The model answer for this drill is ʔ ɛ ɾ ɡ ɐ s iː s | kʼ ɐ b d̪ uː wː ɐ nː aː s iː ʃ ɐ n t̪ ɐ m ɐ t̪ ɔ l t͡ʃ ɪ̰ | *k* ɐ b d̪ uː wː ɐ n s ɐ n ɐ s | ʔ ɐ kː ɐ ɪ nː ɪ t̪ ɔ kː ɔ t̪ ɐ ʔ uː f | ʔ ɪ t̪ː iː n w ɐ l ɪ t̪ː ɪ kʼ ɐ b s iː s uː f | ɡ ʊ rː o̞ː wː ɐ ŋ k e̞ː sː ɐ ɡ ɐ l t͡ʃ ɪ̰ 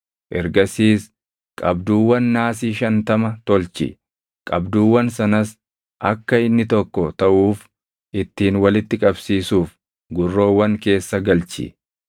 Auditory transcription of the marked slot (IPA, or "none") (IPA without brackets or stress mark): kʼ